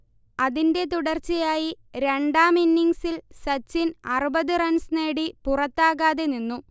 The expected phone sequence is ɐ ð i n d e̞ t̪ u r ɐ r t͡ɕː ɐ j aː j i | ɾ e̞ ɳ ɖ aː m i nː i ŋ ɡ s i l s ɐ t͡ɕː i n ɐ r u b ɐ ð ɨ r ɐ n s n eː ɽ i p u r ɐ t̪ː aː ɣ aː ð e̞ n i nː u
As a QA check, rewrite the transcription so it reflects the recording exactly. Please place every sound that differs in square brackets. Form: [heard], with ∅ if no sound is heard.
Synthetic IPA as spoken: ɐ ð i n d e̞ t̪ u [ɽ] ɐ r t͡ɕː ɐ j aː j i | ɾ e̞ ɳ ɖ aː m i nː i ŋ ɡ s i l s ɐ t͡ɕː i n ɐ r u b ɐ ð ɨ r ɐ n s n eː ɽ i p u r ɐ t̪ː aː ɣ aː ð e̞ n i nː u